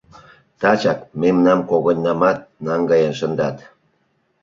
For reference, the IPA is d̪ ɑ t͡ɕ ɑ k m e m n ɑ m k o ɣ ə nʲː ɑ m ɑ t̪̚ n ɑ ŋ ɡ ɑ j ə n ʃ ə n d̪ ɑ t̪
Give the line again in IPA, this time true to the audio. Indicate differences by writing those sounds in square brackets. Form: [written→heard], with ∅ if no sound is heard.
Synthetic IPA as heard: [d̪→t̪] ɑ t͡ɕ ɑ k m e m n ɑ m k o ɣ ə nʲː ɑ m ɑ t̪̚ n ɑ ŋ ɡ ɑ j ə n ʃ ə n d̪ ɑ t̪